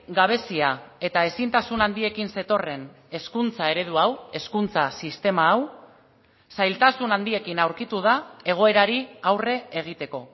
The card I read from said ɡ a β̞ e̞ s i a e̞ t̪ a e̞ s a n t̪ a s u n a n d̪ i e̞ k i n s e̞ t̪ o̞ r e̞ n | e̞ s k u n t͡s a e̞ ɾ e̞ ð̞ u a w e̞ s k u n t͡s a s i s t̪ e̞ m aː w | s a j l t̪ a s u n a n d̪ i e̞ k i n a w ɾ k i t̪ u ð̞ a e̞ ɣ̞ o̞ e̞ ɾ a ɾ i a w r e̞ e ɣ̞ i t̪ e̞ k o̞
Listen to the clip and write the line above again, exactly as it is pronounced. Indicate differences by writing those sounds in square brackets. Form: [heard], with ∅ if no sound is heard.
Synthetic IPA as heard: ɡ a β̞ e̞ s i a e̞ t̪ a e̞ s [i] n t̪ a s u n a n d̪ i e̞ k i n s e̞ t̪ o̞ r e̞ n | e̞ s k u n t͡s a e̞ ɾ e̞ ð̞ u a w e̞ s k u n t͡s a s i s t̪ e̞ m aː w | s a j l t̪ a s u n a n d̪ i e̞ k i n a w ɾ k i t̪ u ð̞ a e̞ ɣ̞ o̞ e̞ ɾ a ɾ i a w r e̞ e ɣ̞ i t̪ e̞ k o̞